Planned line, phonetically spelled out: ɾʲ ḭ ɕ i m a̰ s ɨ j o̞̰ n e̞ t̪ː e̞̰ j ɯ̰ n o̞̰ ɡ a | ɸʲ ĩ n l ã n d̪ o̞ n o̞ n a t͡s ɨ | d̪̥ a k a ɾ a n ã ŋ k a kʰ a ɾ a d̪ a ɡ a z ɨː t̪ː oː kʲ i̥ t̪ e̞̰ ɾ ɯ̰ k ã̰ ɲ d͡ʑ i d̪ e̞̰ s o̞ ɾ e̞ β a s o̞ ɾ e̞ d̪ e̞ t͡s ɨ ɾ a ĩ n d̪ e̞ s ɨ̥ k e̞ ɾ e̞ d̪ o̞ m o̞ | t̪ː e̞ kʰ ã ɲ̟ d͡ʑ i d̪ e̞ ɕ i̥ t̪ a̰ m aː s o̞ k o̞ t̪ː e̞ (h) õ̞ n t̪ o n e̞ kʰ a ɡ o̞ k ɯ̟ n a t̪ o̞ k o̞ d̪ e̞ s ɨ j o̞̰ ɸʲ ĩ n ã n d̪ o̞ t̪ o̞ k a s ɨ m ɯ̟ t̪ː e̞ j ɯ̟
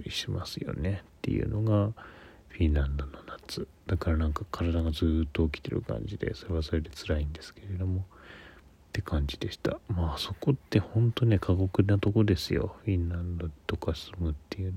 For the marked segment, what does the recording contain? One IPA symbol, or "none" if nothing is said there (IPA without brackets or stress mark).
h